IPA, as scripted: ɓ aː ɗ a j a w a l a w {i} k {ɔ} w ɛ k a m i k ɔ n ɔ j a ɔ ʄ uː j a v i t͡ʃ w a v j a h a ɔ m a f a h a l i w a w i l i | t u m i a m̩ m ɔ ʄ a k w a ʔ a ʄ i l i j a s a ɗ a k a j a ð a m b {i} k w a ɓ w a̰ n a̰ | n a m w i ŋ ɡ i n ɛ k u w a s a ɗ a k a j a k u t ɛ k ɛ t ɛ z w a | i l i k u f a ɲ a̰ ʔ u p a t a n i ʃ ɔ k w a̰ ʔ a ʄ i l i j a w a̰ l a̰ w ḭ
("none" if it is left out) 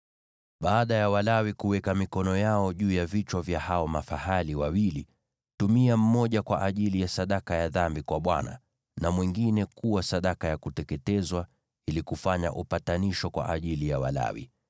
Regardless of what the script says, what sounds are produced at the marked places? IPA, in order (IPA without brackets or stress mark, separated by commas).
i, u, i